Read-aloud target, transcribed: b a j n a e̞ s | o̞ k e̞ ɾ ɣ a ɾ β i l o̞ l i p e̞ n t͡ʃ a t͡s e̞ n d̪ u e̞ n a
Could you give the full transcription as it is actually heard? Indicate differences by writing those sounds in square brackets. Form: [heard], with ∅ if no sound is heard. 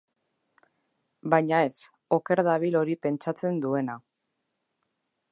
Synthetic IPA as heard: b a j [ɲ] a e̞ s | o̞ k e̞ ɾ [ð] a [∅] β i l o̞ [ɾ] i p e̞ n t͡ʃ a t͡s e̞ n d̪ u e̞ n a